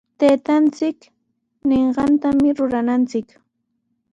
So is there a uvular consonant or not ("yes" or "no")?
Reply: yes